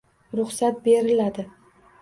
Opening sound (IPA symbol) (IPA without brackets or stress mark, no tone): ɾ